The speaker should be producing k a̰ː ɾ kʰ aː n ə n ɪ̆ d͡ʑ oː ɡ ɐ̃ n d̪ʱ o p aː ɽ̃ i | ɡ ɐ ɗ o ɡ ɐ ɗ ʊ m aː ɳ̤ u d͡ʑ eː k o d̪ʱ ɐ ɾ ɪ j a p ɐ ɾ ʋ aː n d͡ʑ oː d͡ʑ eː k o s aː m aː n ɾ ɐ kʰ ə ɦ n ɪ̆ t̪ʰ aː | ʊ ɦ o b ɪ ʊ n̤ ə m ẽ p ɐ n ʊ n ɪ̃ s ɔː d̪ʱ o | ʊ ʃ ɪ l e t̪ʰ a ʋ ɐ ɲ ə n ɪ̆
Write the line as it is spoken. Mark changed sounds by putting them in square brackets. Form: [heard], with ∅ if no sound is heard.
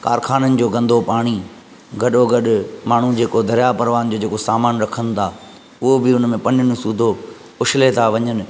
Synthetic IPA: k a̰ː ɾ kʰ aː n ə n ɪ̆ d͡ʑ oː ɡ ɐ̃ n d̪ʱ o p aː ɽ̃ i | ɡ ɐ ɗ o ɡ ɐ ɗ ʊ m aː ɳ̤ u d͡ʑ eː k o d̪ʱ ɐ ɾ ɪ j a p ɐ ɾ ʋ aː n d͡ʑ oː d͡ʑ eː k o s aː m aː n ɾ ɐ kʰ ə [∅] n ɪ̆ t̪ʰ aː | ʊ ɦ o b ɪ ʊ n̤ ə m ẽ p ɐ n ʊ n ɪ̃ s [uː] d̪ʱ o | ʊ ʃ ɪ l e t̪ʰ a ʋ ɐ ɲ ə n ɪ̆